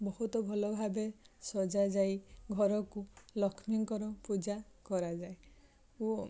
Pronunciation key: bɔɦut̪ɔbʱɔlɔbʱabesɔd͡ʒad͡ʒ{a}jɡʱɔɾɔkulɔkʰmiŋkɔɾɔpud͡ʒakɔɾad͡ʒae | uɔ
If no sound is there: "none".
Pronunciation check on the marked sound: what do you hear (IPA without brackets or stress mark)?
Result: a